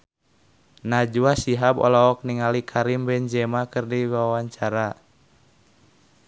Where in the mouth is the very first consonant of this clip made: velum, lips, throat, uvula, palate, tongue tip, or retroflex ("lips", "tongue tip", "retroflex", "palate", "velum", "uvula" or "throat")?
tongue tip